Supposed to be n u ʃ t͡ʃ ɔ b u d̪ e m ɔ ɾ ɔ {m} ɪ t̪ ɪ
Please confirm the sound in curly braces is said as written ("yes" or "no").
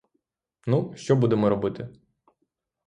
no